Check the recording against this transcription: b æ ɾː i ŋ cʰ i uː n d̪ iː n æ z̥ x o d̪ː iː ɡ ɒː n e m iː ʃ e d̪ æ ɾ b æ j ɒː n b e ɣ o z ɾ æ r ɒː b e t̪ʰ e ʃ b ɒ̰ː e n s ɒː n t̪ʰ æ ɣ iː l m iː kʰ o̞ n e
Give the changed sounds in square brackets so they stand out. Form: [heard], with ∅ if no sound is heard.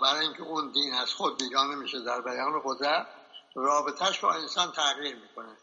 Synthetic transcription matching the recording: b æ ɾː i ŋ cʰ [e] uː n d̪ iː n æ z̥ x o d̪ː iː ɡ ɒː n e m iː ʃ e d̪ æ ɾ b æ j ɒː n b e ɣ o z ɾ æ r ɒː b e t̪ʰ [æ] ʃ b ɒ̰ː e n s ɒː n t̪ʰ æ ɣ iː [ɾ] m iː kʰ o̞ n e